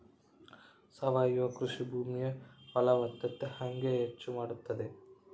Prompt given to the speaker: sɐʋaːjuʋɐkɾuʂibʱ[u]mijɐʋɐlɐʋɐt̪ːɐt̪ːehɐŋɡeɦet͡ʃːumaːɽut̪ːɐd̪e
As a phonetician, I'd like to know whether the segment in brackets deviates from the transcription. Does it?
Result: yes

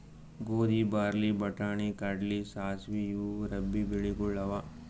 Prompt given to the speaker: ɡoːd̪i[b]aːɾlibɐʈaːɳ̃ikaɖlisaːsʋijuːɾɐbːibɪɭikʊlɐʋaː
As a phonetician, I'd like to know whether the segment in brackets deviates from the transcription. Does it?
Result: no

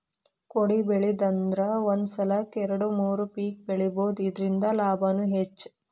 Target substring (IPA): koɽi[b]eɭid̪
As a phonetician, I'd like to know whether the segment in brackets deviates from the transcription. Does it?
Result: no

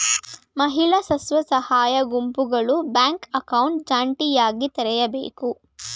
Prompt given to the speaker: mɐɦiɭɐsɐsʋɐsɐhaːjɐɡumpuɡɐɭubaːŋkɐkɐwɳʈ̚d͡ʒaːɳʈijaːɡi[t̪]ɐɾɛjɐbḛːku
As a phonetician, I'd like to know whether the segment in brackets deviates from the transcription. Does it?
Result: no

